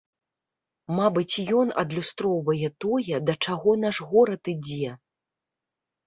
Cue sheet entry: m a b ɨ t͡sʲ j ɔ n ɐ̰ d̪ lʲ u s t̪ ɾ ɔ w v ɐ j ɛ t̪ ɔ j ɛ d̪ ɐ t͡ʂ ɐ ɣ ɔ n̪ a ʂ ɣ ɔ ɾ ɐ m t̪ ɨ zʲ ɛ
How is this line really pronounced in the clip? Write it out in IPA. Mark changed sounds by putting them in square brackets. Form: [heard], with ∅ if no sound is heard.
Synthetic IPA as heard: m a b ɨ t͡sʲ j ɔ n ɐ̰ d̪ lʲ u s t̪ ɾ ɔ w v ɐ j ɛ t̪ ɔ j ɛ d̪ ɐ t͡ʂ [a] ɣ ɔ n̪ a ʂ ɣ ɔ ɾ ɐ [∅] t̪ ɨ [d͡zʲ] ɛ

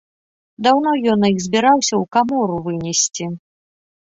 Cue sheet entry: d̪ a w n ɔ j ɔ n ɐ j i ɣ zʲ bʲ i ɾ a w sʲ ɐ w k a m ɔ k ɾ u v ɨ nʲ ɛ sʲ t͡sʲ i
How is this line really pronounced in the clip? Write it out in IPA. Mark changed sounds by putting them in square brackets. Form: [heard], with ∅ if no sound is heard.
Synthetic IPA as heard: d̪ a w n ɔ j ɔ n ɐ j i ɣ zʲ bʲ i ɾ a w sʲ ɐ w k a m ɔ [∅] ɾ u v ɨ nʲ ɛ sʲ t͡sʲ i

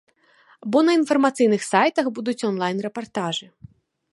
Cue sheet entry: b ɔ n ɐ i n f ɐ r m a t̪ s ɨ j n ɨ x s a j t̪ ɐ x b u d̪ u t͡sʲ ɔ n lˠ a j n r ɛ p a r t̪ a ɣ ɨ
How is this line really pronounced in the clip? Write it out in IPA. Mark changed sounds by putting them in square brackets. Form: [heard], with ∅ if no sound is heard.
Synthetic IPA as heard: b ɔ n ɐ i n f ɐ r m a t̪ s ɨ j n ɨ x s a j t̪ ɐ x b u d̪ u t͡sʲ ɔ n lˠ a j n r ɛ p a r t̪ a [ʐ] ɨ

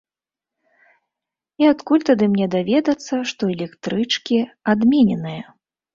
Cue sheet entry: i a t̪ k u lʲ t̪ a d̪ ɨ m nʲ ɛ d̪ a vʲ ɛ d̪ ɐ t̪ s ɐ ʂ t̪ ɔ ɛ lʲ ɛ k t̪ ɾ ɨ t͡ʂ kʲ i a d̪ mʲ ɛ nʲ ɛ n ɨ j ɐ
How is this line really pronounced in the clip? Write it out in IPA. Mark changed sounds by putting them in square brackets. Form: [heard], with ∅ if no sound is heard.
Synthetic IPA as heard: i a t̪ k u lʲ t̪ a d̪ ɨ m nʲ ɛ d̪ a vʲ ɛ d̪ ɐ t̪ [sː] ɐ ʂ t̪ ɔ ɛ lʲ ɛ k t̪ ɾ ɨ t͡ʂ kʲ i a d̪ mʲ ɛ nʲ ɛ n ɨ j ɐ

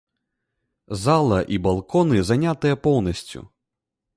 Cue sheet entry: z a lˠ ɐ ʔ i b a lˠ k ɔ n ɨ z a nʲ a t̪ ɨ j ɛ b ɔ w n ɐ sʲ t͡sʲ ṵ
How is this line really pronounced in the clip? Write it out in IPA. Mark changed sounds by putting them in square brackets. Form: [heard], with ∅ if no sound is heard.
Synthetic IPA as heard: z a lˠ ɐ ʔ i b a lˠ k ɔ n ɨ z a nʲ a t̪ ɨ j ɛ [p] ɔ w n ɐ sʲ t͡sʲ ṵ

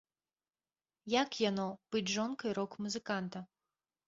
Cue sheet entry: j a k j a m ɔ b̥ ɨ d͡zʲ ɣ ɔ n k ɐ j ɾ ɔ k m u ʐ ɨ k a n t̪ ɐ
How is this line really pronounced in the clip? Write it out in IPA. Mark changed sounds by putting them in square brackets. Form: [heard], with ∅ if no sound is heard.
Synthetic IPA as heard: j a k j a [n] ɔ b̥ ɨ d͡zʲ [ʐ] ɔ n k ɐ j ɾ ɔ k m u [z] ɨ k a n t̪ ɐ

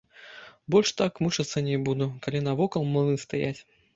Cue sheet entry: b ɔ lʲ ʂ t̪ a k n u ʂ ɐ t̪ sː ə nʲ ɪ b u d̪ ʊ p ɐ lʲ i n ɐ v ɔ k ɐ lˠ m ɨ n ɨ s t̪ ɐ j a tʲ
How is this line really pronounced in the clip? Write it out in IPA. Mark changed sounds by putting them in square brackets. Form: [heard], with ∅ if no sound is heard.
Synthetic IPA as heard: b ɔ lʲ ʂ t̪ a k [m] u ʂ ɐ t̪ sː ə nʲ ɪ b u d̪ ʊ [k] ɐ lʲ i n ɐ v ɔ k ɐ lˠ m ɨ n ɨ s t̪ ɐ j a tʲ

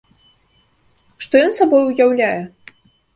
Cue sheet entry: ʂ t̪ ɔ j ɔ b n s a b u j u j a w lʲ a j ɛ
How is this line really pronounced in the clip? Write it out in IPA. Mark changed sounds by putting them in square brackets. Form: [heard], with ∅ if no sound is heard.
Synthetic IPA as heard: ʂ t̪ ɔ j ɔ [∅] n s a b [ɔ] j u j a w lʲ a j ɛ

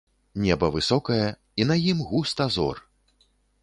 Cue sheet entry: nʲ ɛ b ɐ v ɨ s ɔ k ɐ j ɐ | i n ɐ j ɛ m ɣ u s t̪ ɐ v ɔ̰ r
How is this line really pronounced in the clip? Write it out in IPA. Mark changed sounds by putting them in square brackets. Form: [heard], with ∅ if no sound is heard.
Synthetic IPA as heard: nʲ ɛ b ɐ v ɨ s ɔ k ɐ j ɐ | i n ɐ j [i] m ɣ u s t̪ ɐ [z] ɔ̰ r

